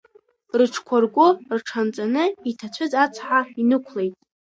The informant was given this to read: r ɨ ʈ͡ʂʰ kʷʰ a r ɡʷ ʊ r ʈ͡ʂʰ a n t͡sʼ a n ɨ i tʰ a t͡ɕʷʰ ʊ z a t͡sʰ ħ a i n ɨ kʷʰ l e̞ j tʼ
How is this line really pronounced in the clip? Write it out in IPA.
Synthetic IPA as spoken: r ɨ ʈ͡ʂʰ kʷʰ a r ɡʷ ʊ r ʈ͡ʂʰ a n t͡sʼ a n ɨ i tʰ a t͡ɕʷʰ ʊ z a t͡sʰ ħ a i n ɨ kʷʰ l e̞ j tʼ